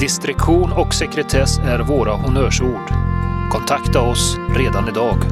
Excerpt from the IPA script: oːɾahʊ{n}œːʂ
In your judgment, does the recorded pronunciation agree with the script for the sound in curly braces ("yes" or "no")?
yes